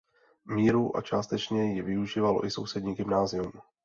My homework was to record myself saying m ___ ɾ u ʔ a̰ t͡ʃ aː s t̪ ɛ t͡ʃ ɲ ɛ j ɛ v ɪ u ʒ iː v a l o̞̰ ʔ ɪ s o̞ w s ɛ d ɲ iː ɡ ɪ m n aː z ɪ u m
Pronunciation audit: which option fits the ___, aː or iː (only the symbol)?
iː